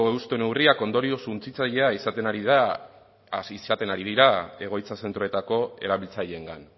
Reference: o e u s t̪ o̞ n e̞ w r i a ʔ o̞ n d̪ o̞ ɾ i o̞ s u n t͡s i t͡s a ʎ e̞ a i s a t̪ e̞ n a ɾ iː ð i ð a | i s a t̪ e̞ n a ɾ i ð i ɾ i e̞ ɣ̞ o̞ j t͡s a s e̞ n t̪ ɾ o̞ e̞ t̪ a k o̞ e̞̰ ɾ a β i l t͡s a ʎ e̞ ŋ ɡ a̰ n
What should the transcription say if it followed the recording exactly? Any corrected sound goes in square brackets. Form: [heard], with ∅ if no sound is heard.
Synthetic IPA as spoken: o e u s t̪ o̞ n e̞ w r i a [k] o̞ n d̪ o̞ ɾ i o̞ s u n t͡s i t͡s a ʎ e̞ a i s a t̪ e̞ n a ɾ [i] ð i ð a | i s a t̪ e̞ n a ɾ i ð i ɾ [a] e̞ ɣ̞ o̞ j t͡s a s e̞ n t̪ ɾ o̞ e̞ t̪ a k o̞ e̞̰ ɾ a β i l t͡s a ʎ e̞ ŋ ɡ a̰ n